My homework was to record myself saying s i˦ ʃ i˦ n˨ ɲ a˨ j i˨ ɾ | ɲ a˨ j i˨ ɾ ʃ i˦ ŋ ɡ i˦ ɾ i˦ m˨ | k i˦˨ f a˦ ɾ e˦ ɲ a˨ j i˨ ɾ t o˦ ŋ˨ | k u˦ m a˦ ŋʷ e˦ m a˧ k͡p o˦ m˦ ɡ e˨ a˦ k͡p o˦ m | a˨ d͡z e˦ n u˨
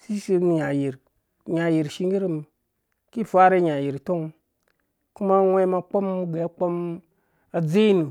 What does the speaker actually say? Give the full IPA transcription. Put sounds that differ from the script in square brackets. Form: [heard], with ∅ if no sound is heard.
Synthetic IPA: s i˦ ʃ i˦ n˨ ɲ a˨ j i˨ ɾ | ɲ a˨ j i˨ ɾ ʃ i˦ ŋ ɡ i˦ ɾ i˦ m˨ | k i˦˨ f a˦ ɾ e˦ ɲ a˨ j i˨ ɾ t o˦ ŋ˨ | k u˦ m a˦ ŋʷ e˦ m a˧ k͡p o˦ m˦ ɡ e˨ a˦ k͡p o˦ m | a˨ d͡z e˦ n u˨